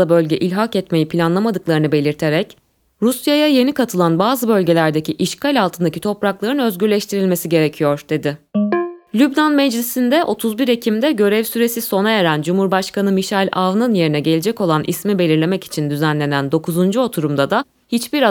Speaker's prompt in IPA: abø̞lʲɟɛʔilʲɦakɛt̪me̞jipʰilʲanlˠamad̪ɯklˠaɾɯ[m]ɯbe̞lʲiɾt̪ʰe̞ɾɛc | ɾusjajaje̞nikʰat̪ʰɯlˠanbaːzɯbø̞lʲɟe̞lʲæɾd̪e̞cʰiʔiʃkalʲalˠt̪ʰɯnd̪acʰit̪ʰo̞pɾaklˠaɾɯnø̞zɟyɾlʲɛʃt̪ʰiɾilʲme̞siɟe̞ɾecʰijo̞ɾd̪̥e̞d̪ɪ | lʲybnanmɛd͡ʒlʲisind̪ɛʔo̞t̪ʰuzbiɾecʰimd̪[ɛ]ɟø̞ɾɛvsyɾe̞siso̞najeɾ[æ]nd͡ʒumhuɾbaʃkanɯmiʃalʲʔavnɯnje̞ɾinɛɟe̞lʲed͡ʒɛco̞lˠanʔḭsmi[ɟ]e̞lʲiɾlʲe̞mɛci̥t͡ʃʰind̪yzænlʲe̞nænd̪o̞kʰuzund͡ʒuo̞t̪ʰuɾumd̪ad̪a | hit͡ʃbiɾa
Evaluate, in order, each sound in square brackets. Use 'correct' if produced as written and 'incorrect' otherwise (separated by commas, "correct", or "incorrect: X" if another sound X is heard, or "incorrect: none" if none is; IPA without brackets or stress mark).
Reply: incorrect: n, correct, correct, incorrect: b